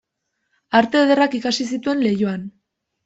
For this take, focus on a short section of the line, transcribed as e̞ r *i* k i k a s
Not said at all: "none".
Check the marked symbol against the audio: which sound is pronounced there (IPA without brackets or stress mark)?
a